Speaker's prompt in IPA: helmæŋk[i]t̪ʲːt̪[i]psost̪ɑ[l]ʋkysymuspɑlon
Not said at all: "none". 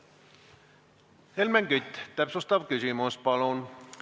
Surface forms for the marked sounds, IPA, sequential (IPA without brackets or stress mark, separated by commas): y, æ, none